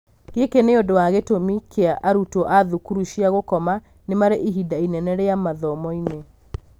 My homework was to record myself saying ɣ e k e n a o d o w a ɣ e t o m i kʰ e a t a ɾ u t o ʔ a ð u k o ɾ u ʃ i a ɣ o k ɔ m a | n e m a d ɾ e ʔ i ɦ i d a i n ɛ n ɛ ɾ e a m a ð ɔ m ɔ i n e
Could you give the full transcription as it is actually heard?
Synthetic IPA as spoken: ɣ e k e n e o d o w a ɣ e t o m i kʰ e a ʔ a ɾ u t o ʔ a ð u k u ɾ u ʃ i a ɣ o k ɔ m a | n e m a ɾ e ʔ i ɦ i d a i n ɛ n ɛ ɾ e a m a ð ɔ m ɔ i n e